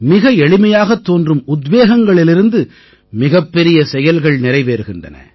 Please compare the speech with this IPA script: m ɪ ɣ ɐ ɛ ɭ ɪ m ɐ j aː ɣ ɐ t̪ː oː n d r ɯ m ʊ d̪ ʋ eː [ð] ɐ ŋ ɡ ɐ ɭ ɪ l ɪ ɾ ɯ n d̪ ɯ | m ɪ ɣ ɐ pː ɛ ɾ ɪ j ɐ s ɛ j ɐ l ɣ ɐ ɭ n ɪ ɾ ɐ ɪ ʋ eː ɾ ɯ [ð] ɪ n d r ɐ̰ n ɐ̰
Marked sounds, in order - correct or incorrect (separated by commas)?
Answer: incorrect, incorrect